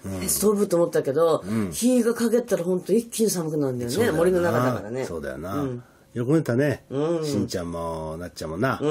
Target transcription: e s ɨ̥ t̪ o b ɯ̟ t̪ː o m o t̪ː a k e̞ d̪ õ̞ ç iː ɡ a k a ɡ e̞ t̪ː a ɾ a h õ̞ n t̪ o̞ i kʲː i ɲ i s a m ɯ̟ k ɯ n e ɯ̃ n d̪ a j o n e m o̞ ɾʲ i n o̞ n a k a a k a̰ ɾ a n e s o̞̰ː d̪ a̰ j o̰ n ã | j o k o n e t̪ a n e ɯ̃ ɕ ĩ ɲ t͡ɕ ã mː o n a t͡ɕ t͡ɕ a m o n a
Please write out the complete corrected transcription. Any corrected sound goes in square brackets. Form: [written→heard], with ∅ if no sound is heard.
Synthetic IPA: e s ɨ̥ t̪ o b ɯ̟ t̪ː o m o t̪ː a k e̞ d̪ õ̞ ç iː ɡ a k a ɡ e̞ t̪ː a ɾ a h õ̞ n t̪ o̞ i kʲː i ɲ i s a m ɯ̟ k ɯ n [e→a] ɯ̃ n d̪ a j o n e m o̞ ɾʲ i n o̞ n a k a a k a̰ ɾ a n e s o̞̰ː d̪ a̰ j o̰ n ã | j o k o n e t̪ a n e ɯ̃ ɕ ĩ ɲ t͡ɕ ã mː o n a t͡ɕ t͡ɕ a m o n a